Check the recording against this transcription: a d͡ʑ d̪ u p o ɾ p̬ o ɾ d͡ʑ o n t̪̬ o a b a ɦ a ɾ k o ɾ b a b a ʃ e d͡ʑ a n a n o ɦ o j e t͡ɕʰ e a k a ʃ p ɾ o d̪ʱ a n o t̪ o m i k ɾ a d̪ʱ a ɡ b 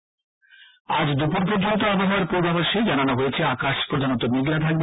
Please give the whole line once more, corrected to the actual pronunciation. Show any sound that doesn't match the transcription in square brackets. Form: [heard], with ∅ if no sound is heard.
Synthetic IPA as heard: a d͡ʑ d̪ u p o ɾ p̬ o ɾ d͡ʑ o n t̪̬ o a b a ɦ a ɾ [p] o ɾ b a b a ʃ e d͡ʑ a n a n o ɦ o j e t͡ɕʰ e a k a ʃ p ɾ o d̪ʱ a n o t̪ o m i [ɡ] ɾ a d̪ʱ a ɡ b